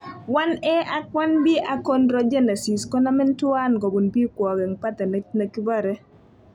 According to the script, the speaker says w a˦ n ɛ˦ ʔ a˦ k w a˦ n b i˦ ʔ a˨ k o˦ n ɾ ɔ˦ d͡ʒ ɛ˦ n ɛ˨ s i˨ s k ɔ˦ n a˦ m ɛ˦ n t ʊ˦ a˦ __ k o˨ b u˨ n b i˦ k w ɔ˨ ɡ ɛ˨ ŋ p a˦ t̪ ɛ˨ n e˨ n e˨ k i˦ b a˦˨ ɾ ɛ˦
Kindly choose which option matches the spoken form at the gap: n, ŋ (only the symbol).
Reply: n